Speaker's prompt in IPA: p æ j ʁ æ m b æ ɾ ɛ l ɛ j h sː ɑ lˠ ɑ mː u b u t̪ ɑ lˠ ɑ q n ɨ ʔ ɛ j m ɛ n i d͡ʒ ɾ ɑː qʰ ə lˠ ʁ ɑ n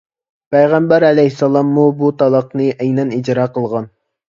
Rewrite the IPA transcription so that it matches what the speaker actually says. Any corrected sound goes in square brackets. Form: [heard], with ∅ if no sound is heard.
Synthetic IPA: p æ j ʁ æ m b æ ɾ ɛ l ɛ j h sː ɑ lˠ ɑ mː u b u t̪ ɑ lˠ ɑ q n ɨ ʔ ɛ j [n] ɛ n i d͡ʒ ɾ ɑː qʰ ə lˠ ʁ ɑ n